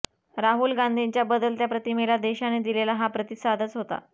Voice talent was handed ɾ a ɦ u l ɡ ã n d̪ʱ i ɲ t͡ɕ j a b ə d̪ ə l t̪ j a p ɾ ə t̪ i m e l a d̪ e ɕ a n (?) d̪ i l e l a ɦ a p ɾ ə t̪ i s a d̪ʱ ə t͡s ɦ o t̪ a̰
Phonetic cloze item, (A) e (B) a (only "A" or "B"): A